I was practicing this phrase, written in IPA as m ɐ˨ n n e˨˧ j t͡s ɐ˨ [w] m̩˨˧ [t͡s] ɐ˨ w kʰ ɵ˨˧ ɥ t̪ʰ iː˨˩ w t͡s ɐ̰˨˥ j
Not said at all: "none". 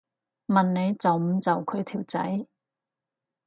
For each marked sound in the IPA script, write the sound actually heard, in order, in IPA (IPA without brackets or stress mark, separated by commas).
w, t͡s